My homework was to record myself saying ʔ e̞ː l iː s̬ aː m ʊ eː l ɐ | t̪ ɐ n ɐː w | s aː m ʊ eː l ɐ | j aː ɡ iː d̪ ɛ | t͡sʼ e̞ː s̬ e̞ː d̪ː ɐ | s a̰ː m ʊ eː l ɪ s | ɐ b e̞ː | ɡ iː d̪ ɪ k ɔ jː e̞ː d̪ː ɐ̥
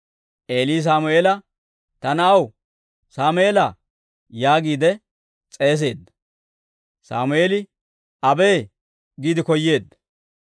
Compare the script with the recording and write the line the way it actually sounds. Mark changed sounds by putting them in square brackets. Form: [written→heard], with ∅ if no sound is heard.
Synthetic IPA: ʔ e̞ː l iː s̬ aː m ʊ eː l ɐ | t̪ ɐ n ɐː w | s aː m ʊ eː l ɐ | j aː ɡ iː d̪ ɛ | t͡sʼ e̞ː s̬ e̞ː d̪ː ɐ | s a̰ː m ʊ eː l ɪ [s→∅] | ɐ b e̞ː | ɡ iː d̪ ɪ k ɔ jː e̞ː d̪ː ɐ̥